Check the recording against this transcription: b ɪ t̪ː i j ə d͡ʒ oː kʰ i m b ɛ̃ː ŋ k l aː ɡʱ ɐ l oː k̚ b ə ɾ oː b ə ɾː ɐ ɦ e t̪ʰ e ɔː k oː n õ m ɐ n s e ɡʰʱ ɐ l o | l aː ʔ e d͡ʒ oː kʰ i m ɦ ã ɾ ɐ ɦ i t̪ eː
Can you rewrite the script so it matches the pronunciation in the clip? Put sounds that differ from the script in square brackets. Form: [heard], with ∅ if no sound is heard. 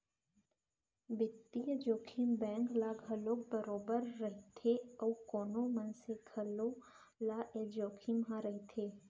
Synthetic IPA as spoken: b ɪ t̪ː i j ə d͡ʒ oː kʰ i m b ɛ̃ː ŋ k l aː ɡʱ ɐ l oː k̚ b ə ɾ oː b ə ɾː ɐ ɦ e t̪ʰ e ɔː k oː n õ m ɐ n s e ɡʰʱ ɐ l o | l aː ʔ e d͡ʒ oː kʰ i m ɦ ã ɾ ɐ ɦ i [t̪ʰ] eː

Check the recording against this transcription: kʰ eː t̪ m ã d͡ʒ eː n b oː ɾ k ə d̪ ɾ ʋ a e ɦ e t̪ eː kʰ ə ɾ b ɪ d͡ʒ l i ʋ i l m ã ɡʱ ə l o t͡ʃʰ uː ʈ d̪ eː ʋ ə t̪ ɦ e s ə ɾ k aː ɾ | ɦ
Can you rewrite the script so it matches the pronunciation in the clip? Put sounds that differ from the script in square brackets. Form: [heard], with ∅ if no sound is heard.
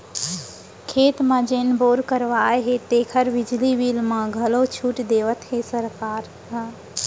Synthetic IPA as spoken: kʰ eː t̪ m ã d͡ʒ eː n b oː ɾ k ə [∅] ɾ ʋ a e ɦ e t̪ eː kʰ ə ɾ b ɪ d͡ʒ l i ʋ i l m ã ɡʱ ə l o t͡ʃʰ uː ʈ d̪ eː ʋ ə t̪ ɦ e s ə ɾ k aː ɾ | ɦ

